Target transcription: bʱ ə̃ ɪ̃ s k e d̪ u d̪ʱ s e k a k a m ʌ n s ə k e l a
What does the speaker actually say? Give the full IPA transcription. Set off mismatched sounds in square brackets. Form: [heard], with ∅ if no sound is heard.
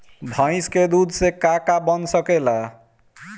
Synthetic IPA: bʱ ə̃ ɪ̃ s k e d̪ u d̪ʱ s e k a k a [b] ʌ n s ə k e l a